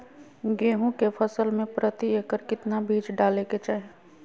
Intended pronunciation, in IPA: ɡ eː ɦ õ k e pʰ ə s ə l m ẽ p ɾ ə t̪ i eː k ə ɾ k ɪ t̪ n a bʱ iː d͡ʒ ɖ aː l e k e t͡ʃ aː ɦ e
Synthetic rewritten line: ɡ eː ɦ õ k e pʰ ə s ə l m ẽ p ɾ ə t̪ i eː k ə ɾ k ɪ t̪ n a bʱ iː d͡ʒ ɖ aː l e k e t͡ʃ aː ɦ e